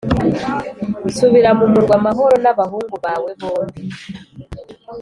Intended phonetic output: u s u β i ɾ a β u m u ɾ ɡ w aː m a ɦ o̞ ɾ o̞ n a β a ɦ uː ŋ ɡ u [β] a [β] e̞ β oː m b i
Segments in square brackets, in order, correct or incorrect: correct, incorrect: w

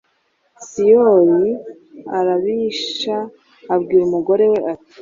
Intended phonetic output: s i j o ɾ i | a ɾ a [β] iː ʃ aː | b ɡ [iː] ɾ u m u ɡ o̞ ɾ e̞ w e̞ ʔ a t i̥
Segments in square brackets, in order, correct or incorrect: correct, correct

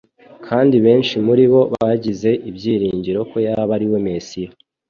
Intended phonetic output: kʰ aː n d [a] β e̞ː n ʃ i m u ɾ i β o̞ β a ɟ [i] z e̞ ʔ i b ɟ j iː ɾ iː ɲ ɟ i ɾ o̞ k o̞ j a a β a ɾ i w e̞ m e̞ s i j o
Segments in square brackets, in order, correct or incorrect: incorrect: i, correct

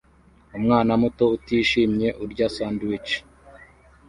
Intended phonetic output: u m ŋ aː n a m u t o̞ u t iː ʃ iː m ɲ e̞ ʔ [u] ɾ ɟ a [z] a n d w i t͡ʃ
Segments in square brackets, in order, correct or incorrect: correct, incorrect: s

